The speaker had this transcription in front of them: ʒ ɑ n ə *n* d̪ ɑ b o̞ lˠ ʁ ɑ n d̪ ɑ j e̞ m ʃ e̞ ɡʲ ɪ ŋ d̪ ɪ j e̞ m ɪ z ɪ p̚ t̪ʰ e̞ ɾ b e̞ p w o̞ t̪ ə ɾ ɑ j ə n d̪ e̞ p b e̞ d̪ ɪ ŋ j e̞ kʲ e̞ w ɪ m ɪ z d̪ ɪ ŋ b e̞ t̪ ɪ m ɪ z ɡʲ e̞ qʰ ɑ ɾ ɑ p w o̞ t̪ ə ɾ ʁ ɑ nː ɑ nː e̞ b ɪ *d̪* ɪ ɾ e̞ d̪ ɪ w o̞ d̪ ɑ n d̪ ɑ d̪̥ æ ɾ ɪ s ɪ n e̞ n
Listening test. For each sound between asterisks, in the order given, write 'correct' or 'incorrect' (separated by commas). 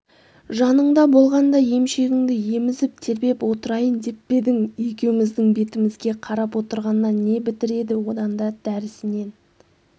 incorrect, incorrect